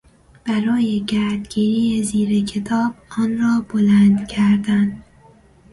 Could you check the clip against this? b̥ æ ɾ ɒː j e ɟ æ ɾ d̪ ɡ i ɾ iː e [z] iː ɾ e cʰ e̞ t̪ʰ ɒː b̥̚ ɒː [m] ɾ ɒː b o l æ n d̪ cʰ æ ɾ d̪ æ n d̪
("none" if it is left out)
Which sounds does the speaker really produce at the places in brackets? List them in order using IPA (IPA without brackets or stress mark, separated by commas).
z, n